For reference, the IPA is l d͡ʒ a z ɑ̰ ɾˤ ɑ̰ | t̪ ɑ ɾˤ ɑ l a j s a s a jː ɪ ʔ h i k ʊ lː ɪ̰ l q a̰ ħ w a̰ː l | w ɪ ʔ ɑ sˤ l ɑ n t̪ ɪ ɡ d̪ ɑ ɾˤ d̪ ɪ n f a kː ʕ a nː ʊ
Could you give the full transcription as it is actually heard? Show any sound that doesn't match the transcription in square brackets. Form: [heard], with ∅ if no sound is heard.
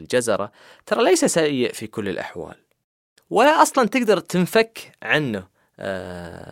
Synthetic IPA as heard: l d͡ʒ a z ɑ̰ ɾˤ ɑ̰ | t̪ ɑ ɾˤ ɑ l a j s a s a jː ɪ ʔ [f] i k ʊ lː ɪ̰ l [ʔ] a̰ ħ w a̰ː l | w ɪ ʔ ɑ sˤ l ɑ n t̪ ɪ ɡ d̪ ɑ ɾˤ [t̪] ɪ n f a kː ʕ a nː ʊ